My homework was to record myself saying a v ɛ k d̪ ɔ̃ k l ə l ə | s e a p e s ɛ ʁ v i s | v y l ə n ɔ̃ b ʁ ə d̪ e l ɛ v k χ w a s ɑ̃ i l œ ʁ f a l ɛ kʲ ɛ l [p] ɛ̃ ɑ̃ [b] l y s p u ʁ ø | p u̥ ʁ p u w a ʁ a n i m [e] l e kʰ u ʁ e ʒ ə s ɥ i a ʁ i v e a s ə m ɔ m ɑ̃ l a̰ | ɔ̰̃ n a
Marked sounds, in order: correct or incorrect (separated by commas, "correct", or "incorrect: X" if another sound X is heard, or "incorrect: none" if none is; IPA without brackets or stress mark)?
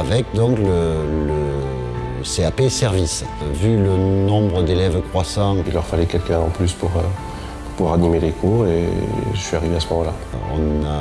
incorrect: k, incorrect: p, correct